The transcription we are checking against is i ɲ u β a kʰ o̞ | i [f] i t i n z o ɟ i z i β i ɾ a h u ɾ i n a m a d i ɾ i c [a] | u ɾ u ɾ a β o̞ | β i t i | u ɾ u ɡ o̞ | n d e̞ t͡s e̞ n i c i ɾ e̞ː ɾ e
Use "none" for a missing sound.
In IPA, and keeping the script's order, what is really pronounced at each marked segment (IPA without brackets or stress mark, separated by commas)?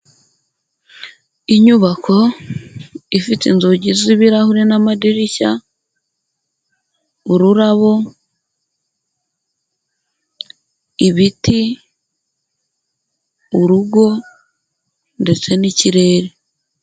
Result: f, a